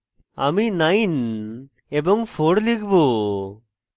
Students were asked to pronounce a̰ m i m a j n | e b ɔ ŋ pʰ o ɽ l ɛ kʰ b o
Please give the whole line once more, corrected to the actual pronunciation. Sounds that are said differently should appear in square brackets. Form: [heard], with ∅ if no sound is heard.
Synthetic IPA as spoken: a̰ m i [n] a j n | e b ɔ ŋ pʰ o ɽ l [i] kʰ b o